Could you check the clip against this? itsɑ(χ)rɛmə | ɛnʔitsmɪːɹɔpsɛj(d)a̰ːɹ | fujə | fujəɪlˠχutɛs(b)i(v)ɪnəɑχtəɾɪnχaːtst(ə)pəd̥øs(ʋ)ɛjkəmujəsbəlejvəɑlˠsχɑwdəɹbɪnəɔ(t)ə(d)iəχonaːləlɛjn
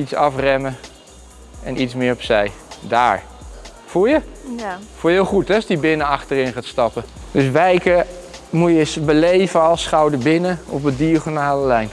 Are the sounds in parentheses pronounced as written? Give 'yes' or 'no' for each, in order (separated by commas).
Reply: no, yes, no, no, no, yes, no, yes